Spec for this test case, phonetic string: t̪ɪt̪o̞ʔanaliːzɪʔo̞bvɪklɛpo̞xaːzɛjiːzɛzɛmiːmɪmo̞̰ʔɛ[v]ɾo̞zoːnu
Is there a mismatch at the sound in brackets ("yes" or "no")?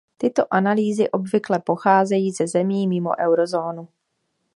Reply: yes